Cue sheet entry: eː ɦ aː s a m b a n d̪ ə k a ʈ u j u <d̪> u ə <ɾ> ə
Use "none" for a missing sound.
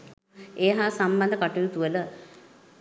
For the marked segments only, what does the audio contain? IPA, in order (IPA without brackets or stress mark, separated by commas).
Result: t̪, l